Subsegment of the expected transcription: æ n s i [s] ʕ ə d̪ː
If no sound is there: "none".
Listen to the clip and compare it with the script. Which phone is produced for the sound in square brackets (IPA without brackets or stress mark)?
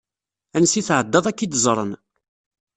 θ